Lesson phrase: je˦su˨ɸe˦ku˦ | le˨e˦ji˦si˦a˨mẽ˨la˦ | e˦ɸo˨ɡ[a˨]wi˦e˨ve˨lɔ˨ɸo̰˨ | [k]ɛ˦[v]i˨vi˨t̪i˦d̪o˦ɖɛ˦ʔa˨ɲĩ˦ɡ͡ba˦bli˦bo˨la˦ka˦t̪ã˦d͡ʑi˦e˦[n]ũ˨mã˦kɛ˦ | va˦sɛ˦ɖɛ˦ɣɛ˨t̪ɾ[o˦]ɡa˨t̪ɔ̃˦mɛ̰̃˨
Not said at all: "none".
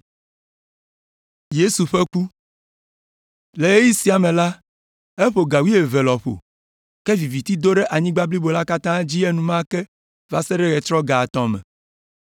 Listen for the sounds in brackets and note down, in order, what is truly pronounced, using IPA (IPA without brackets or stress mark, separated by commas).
a˨, k, v, n, ɔ˦